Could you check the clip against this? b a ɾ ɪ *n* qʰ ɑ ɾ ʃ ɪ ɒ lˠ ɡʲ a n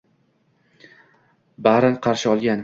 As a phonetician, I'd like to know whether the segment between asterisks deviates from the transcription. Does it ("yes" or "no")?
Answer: no